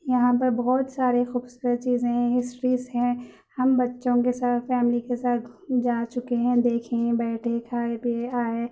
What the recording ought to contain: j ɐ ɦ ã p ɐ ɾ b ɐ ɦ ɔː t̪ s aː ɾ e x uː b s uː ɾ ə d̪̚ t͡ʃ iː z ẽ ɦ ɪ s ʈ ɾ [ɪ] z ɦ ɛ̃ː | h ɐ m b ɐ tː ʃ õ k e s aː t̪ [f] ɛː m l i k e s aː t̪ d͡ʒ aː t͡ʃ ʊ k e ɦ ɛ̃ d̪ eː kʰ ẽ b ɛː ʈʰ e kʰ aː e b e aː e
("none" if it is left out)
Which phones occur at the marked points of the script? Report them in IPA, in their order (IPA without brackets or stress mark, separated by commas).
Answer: i, f